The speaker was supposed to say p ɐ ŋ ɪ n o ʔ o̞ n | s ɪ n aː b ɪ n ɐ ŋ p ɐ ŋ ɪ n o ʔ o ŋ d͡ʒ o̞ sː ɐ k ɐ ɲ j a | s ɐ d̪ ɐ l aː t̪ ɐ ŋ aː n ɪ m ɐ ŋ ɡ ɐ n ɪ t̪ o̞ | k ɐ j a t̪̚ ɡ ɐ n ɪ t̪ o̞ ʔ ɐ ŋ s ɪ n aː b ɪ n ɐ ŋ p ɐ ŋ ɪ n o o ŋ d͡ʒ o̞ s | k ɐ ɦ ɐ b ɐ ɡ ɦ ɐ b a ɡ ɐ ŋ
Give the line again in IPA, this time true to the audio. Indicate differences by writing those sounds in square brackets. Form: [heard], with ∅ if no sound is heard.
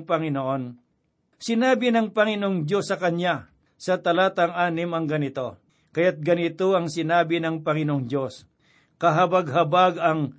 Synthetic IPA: p ɐ ŋ ɪ n o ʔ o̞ n | s ɪ n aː b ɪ n ɐ ŋ p ɐ ŋ ɪ n o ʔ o ŋ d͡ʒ o̞ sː ɐ k ɐ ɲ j a | s ɐ [t̪] ɐ l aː t̪ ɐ ŋ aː n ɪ m ɐ ŋ ɡ ɐ n ɪ t̪ o̞ | k ɐ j a t̪̚ ɡ ɐ n ɪ t̪ o̞ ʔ ɐ ŋ s ɪ n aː b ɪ n ɐ ŋ p ɐ ŋ ɪ n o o ŋ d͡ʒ o̞ s | k ɐ ɦ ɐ b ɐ ɡ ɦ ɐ b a ɡ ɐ ŋ